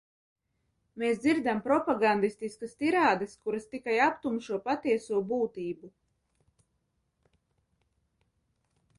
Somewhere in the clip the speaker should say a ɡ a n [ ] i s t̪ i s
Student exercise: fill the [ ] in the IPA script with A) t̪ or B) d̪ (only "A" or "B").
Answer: B